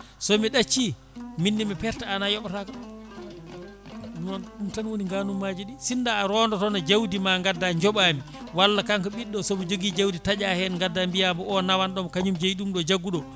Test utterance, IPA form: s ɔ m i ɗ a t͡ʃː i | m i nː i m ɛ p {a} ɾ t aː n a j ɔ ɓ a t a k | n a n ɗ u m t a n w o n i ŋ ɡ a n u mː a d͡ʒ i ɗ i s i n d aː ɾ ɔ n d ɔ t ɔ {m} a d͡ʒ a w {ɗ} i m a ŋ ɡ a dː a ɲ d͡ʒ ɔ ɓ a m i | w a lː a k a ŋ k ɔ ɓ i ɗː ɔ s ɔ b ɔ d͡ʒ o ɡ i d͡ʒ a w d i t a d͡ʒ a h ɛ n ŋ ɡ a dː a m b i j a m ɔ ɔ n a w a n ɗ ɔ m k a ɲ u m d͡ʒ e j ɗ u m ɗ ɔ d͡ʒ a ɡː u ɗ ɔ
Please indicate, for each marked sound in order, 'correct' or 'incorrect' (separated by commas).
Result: incorrect, incorrect, incorrect